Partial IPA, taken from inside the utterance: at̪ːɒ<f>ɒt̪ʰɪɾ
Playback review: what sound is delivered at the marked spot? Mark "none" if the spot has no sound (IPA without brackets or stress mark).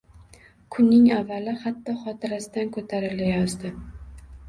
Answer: χ